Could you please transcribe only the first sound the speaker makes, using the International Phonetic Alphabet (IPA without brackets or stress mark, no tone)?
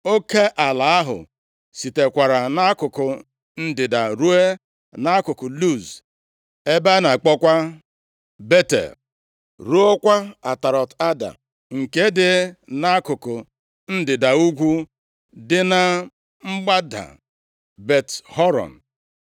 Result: o